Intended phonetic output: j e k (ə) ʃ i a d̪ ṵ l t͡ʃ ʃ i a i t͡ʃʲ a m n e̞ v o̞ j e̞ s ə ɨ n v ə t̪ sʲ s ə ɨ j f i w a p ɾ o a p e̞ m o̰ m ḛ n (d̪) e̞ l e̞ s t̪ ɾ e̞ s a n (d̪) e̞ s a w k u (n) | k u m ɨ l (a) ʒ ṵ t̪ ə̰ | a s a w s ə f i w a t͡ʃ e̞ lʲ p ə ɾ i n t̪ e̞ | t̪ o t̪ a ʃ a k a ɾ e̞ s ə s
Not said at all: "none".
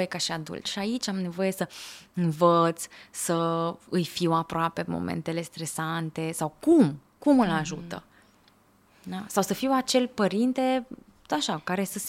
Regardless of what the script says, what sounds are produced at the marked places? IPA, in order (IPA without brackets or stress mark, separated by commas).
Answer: a, t̪, t̪, m, a